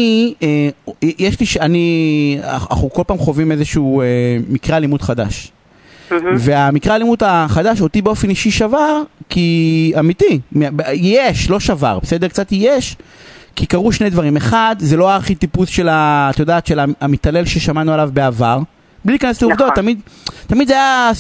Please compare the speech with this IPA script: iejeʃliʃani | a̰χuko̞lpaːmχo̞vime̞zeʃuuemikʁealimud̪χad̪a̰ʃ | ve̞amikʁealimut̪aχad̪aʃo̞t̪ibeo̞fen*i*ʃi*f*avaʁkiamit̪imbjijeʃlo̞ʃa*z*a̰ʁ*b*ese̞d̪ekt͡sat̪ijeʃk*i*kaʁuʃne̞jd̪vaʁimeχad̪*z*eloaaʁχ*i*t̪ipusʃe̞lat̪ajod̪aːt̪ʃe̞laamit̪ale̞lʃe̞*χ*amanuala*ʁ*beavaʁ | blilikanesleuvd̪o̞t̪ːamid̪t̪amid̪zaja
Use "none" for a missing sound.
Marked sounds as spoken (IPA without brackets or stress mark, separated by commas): i, ʃ, v, b, i, z, i, ʃ, v